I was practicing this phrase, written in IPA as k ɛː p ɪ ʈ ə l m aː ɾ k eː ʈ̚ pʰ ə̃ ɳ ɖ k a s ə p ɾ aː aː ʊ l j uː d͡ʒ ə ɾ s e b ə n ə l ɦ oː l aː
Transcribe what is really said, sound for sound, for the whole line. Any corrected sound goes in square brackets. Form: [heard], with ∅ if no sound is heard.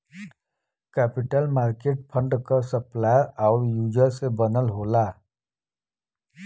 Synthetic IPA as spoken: k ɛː p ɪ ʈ ə l m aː ɾ k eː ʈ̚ pʰ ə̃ ɳ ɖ k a s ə p [l] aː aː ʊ [ɾ] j uː d͡ʒ ə ɾ s e b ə n ə l ɦ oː l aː